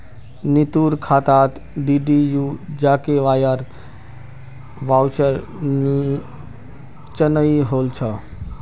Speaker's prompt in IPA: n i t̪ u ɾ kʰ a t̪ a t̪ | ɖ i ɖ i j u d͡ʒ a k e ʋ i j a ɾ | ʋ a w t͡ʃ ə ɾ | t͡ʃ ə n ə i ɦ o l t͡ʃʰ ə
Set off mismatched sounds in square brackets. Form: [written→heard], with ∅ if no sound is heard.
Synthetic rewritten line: n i t̪ u ɾ kʰ a t̪ a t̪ | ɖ i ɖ i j u d͡ʒ a k e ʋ [i→a] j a ɾ | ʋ a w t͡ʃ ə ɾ | t͡ʃ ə n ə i ɦ o l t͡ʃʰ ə